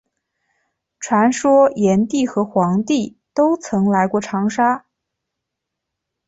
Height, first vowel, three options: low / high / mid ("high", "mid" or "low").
low